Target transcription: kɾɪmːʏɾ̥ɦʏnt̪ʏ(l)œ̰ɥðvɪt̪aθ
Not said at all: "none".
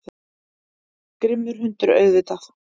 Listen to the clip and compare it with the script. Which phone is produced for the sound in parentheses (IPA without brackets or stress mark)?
ɾ